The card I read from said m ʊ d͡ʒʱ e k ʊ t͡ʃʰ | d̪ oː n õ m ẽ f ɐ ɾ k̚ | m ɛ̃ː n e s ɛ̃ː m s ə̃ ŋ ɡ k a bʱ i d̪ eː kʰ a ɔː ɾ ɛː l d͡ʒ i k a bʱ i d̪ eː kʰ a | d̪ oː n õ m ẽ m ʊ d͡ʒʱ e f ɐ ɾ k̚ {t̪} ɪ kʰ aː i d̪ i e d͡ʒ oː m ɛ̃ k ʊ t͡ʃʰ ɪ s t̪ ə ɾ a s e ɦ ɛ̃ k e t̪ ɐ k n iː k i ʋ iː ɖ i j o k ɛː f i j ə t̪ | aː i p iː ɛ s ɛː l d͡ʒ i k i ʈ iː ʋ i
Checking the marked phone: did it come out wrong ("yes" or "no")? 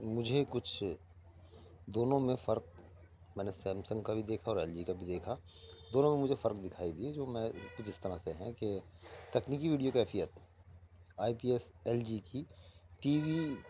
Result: yes